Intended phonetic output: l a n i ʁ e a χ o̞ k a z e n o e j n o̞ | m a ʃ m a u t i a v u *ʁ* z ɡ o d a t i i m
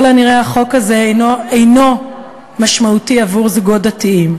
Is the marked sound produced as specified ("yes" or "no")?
yes